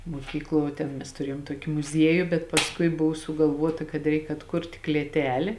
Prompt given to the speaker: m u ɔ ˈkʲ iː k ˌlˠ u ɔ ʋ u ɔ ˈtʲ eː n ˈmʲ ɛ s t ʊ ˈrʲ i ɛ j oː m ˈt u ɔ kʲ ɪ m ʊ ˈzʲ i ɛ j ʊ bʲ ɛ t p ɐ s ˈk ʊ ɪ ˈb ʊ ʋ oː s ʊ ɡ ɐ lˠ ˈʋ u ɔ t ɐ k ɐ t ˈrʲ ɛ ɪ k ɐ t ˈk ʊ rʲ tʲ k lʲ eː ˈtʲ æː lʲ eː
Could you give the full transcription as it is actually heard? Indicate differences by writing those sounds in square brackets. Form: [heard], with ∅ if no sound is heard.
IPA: m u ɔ ˈkʲ iː k ˌlˠ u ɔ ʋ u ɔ ˈtʲ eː n ˈmʲ ɛ s t ʊ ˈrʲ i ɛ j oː m ˈt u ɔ kʲ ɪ m ʊ ˈzʲ i ɛ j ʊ bʲ ɛ t p ɐ s ˈk ʊ ɪ ˈb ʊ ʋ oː s ʊ ɡ ɐ lˠ ˈʋ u ɔ t ɐ k ɐ t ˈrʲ ɛ ɪ k ɐ t ˈk ʊ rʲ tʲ k lʲ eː ˈtʲ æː lʲ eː